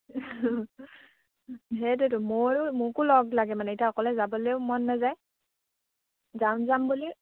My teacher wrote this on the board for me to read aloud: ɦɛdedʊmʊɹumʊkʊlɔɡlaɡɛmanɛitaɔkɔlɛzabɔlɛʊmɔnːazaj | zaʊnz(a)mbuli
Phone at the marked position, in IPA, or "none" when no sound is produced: a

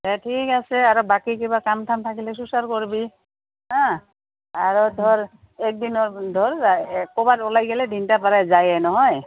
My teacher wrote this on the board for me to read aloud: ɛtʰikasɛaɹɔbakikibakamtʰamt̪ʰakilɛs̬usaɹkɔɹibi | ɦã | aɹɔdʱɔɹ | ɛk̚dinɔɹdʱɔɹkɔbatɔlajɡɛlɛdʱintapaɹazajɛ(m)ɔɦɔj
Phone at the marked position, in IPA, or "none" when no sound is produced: n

